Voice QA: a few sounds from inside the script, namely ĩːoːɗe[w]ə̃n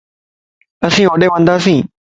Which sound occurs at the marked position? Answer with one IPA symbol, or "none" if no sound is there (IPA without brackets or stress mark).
ʋ